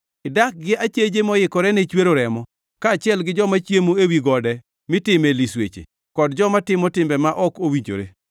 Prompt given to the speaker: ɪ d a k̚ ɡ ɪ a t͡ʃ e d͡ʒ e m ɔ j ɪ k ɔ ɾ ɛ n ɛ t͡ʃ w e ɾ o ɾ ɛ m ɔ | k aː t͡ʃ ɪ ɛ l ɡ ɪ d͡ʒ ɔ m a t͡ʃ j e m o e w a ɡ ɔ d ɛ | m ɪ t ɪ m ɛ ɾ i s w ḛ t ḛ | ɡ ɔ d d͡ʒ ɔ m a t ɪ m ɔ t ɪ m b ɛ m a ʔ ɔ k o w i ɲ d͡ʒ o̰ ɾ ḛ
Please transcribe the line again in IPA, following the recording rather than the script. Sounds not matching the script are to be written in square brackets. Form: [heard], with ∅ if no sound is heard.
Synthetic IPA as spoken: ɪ d a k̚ ɡ ɪ a t͡ʃ e d͡ʒ e m ɔ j ɪ k ɔ ɾ ɛ n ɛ t͡ʃ w e ɾ o ɾ ɛ m ɔ | k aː t͡ʃ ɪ ɛ l ɡ ɪ d͡ʒ ɔ m a t͡ʃ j e m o e w [i] ɡ ɔ d ɛ | m ɪ t ɪ m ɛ [l] i s w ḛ [t͡ʃ] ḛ | [k] ɔ d d͡ʒ ɔ m a t ɪ m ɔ t ɪ m b ɛ m a ʔ ɔ k o w i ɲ d͡ʒ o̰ ɾ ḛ